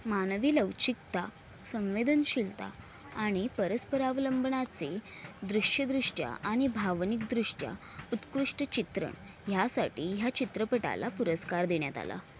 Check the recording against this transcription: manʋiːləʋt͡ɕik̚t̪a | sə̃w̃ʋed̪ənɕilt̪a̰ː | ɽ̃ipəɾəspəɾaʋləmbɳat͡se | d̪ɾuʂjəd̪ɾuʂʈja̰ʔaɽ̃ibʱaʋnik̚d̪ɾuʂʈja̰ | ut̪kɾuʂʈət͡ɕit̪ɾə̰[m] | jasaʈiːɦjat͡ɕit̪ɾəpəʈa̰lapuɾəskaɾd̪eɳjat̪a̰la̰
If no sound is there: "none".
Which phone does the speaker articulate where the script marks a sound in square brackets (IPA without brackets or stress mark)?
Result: ɳ